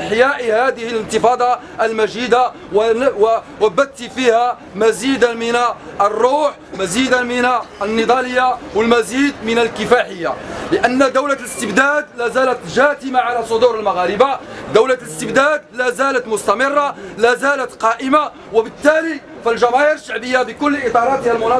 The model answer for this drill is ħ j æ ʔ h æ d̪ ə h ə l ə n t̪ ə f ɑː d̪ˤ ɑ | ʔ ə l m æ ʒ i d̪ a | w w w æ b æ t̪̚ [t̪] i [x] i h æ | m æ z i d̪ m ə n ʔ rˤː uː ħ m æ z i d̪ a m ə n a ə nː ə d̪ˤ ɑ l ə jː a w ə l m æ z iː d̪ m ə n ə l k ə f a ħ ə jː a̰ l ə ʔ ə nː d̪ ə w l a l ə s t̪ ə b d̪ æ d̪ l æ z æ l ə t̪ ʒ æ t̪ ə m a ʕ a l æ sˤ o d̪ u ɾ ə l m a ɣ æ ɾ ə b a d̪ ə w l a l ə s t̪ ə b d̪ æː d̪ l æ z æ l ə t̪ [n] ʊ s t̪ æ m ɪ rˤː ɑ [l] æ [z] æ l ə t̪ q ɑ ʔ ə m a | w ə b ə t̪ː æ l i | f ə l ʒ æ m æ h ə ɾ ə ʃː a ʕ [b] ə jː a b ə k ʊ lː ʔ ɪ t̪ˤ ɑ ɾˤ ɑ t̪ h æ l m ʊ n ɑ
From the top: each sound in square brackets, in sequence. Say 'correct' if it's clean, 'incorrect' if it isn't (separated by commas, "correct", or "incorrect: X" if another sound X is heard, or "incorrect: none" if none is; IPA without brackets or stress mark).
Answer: correct, incorrect: f, incorrect: m, correct, correct, correct